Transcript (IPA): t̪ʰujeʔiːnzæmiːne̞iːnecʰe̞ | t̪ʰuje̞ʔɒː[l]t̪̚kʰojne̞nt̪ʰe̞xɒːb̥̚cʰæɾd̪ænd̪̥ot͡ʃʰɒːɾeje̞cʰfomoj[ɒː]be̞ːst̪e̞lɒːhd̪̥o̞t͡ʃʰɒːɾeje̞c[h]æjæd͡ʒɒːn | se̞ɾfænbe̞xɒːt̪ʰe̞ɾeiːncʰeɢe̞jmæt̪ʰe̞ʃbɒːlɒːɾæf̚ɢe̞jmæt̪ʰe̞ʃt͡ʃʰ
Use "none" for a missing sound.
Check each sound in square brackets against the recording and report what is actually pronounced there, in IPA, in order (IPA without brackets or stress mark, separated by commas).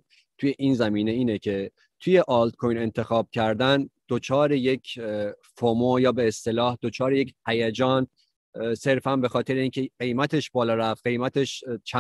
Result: l, ɒː, h